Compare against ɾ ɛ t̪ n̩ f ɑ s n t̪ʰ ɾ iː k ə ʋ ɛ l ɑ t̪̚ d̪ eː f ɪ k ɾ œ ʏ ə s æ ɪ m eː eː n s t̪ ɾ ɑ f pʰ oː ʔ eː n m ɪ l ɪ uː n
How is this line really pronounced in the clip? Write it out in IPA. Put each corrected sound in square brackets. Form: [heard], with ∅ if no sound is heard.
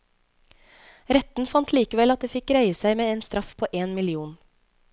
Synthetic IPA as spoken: ɾ ɛ t̪ n̩ f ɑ [∅] n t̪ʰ [l] iː k ə ʋ ɛ l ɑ t̪̚ d̪ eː f ɪ k ɾ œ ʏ ə s æ ɪ m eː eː n s t̪ ɾ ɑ f pʰ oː ʔ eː n m ɪ l ɪ uː n